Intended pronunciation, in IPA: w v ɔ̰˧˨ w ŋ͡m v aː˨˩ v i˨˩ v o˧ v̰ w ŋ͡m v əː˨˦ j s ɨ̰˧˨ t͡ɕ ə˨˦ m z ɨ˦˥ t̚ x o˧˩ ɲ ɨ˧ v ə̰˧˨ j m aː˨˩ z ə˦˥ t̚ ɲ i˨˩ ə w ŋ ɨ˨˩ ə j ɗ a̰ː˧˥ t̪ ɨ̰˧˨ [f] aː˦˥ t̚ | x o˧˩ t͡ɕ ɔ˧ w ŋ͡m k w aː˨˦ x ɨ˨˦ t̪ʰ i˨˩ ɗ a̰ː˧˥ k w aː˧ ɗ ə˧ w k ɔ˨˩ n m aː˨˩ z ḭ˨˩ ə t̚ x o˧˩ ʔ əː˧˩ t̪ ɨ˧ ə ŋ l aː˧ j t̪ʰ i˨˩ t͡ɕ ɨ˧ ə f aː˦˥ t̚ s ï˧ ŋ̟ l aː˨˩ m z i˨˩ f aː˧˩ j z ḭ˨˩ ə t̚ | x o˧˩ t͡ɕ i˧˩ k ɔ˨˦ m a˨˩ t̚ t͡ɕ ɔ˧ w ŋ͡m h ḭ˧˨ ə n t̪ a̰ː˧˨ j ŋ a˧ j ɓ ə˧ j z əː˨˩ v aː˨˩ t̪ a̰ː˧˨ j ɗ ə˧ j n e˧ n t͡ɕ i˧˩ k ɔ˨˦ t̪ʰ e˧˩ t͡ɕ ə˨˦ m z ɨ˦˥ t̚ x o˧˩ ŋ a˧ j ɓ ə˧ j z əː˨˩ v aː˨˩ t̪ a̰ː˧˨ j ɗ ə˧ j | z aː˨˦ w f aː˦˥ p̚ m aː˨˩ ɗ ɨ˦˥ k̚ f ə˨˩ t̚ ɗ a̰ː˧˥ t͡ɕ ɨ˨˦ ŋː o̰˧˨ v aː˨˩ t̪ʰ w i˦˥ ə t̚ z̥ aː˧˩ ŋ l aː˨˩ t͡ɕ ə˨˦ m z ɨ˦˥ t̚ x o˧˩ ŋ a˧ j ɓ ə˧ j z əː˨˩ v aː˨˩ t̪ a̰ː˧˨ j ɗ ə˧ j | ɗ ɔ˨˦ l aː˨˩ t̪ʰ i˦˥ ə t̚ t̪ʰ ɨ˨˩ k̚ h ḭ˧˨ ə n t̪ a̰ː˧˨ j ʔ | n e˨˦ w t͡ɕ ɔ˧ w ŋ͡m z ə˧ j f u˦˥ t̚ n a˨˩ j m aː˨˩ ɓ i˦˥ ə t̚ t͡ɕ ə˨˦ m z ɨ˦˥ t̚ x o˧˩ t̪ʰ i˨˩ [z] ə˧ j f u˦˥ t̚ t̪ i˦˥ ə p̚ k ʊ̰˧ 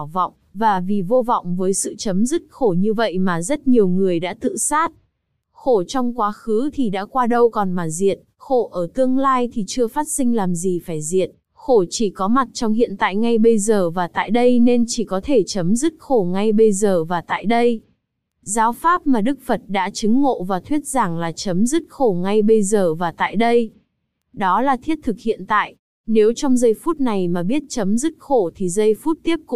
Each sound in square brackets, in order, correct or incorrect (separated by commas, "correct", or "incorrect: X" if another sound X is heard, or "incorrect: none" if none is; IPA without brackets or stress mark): incorrect: s, correct